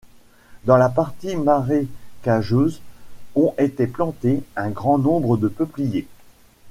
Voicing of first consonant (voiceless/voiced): voiced